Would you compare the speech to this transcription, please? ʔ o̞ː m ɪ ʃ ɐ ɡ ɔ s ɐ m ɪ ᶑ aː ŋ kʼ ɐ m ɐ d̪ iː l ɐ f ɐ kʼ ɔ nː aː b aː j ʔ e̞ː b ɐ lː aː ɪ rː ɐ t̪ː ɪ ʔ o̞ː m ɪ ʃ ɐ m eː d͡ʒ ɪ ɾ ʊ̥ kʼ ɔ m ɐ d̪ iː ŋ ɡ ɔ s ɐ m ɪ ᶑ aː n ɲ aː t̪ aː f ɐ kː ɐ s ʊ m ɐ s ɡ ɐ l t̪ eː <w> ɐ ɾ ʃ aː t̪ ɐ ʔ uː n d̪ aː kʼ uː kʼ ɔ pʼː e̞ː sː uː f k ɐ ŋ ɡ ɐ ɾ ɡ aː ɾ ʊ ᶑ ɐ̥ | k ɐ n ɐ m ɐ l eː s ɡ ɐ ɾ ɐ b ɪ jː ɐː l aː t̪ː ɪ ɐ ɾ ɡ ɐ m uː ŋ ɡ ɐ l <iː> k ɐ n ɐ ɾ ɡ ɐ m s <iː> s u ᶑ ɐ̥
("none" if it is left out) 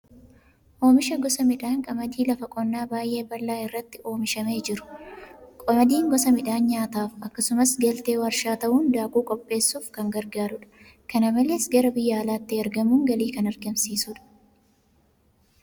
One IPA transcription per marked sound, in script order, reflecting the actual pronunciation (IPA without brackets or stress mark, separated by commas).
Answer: w, iː, iː